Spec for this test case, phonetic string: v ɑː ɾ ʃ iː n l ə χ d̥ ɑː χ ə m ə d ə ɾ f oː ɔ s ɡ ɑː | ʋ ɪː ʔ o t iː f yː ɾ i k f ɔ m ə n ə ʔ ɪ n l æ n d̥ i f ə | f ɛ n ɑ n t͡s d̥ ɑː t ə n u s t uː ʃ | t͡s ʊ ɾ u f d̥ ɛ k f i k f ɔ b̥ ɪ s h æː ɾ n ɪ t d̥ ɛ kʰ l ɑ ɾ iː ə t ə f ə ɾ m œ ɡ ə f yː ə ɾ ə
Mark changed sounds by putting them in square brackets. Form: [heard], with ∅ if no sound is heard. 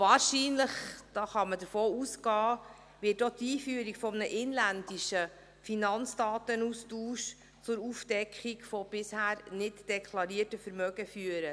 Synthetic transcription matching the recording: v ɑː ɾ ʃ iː n l ə χ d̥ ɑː χ [ɑ] m ə d ə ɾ f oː [u] s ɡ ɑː | ʋ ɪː [t] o t iː f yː ɾ i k f ɔ m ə n ə ʔ ɪ n l æ n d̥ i [ʃ] ə | f [i] n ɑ n t͡s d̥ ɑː t ə n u s t uː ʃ | t͡s ʊ ɾ u f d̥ ɛ k [χ] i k f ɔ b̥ ɪ s h æː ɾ n ɪ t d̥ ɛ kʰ l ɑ ɾ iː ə t ə f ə ɾ m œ ɡ ə f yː ə ɾ ə